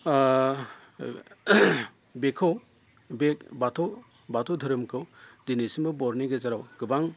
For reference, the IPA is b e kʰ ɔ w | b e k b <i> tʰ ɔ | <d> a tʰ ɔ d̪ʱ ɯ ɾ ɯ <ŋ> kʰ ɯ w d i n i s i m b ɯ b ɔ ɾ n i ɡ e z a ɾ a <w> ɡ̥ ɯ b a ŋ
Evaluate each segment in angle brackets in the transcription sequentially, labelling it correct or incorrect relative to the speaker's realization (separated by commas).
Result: incorrect, incorrect, incorrect, correct